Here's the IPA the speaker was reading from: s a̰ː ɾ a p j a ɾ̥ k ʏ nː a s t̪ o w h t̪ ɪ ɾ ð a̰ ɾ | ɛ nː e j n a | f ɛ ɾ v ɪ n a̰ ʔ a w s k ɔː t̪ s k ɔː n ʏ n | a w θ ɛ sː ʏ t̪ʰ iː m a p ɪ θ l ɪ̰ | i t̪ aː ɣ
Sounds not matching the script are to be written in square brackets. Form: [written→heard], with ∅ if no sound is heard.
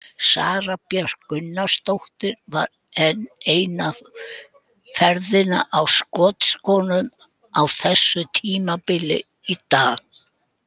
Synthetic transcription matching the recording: s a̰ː ɾ a p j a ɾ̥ k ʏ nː a s t̪ o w h t̪ ɪ ɾ [ð→v] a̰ ɾ | ɛ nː e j n a | f ɛ ɾ [v→ð] ɪ n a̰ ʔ a w s k ɔː t̪ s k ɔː n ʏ [n→m] | a w θ ɛ sː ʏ t̪ʰ iː m a p ɪ [θ→∅] l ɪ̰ | i t̪ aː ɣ